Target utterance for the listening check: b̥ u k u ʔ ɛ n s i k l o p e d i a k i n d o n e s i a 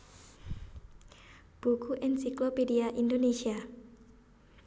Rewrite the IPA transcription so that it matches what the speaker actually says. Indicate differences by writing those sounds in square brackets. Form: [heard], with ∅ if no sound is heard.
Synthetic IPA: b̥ u k u ʔ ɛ n s i k l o p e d i a [ʔ] i n d o n e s i a